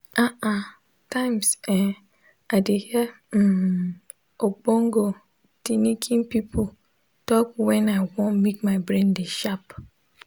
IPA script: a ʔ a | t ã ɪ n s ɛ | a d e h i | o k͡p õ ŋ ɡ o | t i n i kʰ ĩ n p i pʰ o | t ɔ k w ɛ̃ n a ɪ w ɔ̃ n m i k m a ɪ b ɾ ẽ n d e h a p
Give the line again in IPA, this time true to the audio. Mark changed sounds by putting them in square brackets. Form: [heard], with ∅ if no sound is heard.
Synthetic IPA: a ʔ a | t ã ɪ [m] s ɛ | a d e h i | o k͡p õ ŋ ɡ o | t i n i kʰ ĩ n p i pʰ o | t ɔ k w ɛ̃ n a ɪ w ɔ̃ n m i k m a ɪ b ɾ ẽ n d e [ʃ] a p